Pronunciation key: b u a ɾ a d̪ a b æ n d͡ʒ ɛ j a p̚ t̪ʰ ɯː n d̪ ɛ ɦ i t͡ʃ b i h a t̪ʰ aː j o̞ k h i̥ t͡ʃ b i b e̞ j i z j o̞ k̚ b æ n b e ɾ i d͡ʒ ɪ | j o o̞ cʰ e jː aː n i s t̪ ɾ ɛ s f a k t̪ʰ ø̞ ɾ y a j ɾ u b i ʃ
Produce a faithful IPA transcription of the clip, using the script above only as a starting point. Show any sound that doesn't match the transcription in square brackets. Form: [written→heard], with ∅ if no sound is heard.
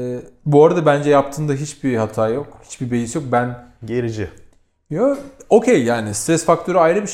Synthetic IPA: b u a ɾ a d̪ a b æ n d͡ʒ ɛ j a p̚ t̪ʰ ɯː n d̪ [ɛ→a] ɦ i t͡ʃ b i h a t̪ʰ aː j o̞ k h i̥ t͡ʃ b i b e̞ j i [z→s] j o̞ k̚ b æ n [b→ɟ] e ɾ i d͡ʒ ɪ | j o o̞ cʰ e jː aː n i s t̪ ɾ ɛ s f a k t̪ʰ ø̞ ɾ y a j ɾ [u→ɯ] b i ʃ